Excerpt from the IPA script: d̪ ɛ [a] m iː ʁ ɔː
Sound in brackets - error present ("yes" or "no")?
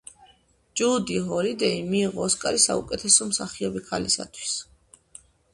yes